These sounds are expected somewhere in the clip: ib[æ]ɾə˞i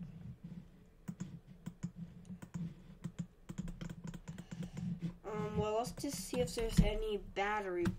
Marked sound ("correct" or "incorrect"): correct